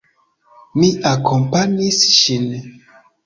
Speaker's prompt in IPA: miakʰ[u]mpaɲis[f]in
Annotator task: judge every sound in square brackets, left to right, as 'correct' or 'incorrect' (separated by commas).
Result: incorrect, incorrect